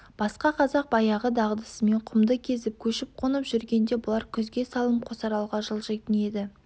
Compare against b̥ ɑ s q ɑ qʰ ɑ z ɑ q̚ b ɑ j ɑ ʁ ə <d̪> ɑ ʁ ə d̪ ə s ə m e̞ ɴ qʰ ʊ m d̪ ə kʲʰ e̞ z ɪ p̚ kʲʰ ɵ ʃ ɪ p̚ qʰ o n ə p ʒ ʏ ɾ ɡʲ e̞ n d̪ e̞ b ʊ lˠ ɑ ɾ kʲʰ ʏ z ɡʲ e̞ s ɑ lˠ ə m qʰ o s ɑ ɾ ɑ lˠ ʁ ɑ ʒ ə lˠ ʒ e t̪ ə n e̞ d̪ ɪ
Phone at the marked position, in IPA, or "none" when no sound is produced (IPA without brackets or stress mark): d̪